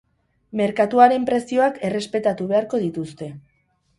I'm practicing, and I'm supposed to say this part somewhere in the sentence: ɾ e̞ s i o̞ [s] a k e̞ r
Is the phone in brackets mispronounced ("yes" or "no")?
yes